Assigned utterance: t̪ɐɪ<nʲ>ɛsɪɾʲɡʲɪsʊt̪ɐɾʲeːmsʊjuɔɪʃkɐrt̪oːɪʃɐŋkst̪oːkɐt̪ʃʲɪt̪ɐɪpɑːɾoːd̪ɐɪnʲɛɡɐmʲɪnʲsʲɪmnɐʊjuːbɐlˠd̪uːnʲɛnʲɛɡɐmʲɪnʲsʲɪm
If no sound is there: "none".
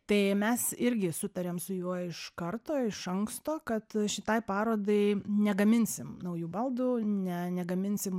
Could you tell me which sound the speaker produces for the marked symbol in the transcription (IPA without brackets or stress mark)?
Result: mʲ